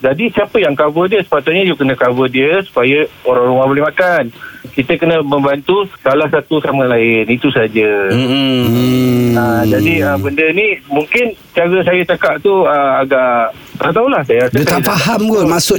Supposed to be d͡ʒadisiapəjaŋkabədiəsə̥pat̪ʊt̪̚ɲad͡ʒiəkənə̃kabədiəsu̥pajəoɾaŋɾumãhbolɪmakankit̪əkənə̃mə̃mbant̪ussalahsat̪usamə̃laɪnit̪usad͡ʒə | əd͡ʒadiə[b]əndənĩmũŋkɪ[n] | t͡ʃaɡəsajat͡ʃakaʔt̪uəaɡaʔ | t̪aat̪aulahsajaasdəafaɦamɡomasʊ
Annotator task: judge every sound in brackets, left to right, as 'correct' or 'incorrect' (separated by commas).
correct, correct